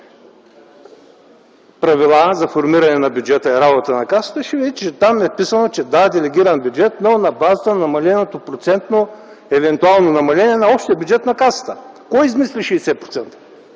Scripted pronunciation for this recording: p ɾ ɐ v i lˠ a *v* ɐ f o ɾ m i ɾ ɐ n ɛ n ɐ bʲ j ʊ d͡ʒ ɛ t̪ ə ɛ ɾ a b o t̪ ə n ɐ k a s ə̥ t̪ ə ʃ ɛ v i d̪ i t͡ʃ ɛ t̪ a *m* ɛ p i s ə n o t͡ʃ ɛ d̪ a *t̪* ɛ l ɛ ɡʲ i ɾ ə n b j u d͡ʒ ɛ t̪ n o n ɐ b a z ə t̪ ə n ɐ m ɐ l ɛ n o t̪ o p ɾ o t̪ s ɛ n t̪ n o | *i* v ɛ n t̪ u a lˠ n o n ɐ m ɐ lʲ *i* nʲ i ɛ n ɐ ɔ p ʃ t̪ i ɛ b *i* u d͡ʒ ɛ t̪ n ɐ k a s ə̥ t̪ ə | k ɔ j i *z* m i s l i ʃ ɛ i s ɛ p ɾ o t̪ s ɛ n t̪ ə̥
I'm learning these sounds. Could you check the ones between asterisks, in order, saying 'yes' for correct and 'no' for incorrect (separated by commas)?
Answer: no, yes, no, no, no, no, yes